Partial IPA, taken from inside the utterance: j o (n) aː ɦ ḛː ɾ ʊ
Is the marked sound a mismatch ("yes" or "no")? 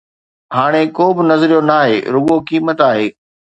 no